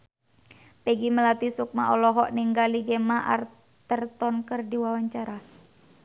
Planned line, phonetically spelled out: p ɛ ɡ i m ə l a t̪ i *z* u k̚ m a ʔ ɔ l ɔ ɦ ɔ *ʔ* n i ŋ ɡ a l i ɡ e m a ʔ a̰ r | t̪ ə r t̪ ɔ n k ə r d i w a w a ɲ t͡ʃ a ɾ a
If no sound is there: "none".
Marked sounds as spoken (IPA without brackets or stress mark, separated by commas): s, ʔ